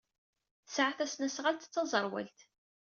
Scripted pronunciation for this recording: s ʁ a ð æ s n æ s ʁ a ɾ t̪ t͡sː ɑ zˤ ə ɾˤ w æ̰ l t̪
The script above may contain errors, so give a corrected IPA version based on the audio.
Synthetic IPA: s ʕ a θ æ s n æ s ʁ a l t̪ t͡sː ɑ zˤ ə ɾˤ w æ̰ l t̪